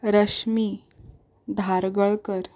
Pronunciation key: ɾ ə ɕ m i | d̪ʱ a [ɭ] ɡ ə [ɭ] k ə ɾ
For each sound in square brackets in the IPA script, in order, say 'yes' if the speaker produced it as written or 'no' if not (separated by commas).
no, yes